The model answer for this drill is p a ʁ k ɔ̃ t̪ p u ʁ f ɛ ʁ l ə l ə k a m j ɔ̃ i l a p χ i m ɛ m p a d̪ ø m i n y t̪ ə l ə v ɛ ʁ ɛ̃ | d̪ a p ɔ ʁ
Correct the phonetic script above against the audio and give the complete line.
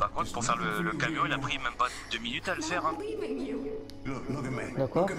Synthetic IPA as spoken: p a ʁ k ɔ̃ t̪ p u ʁ f ɛ ʁ l ə l ə k a m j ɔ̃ i l a p χ i m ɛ m p a d̪ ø m i n y t̪ a l ə f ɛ ʁ ɛ̃ | d̪ a k ɔ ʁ